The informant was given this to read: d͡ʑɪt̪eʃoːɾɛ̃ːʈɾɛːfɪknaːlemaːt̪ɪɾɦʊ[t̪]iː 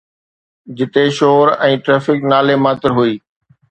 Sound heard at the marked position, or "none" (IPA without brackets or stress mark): none